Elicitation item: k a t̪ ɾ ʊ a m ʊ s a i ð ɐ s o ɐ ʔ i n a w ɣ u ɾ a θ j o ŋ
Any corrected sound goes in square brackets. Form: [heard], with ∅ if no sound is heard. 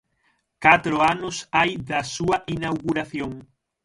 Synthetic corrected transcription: k a t̪ ɾ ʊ a [n] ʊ s a [j] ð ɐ s [u] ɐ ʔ i n a w ɣ u ɾ a θ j o ŋ